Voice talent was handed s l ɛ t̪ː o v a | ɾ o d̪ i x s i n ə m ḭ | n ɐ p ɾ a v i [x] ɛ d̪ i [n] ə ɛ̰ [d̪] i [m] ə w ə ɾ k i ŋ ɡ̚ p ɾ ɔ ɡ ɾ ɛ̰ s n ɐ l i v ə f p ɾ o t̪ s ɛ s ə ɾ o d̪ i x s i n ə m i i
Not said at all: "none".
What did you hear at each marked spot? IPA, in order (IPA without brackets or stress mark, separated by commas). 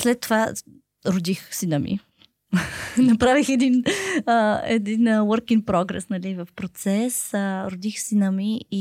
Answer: x, n, d̪, n